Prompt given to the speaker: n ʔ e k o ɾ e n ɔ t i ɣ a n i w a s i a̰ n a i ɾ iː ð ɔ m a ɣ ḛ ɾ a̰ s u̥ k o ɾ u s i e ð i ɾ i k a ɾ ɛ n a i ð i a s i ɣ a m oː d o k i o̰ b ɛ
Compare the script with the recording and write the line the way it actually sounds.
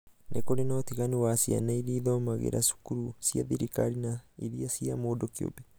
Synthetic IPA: n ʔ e k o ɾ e n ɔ t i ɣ a n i w a s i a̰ n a i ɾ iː ð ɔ m a ɣ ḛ ɾ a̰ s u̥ k u ɾ u s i a ð i ɾ i k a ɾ i n a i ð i a s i a m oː d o k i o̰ b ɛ